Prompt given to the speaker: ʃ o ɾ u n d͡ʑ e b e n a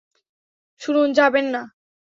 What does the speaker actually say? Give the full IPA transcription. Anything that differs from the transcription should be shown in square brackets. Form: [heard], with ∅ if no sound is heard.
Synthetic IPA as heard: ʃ [u] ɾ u n d͡ʑ [a] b e [nː] a